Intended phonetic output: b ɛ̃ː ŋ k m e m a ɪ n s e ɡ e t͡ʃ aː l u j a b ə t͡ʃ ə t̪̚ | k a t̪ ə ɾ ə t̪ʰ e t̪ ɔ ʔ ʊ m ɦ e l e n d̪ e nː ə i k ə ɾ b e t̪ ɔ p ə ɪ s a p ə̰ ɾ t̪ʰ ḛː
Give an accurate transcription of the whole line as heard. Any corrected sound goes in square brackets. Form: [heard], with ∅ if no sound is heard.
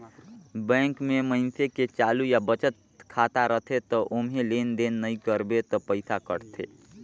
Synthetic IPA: b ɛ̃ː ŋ k m e m [ə] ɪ n s e [k] e t͡ʃ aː l u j a b ə t͡ʃ ə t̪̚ | [kʰ] a t̪ [a] ɾ ə t̪ʰ e t̪ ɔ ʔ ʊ m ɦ e l e n d̪ e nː ə i k ə ɾ b e t̪ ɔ p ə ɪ s a [k] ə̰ ɾ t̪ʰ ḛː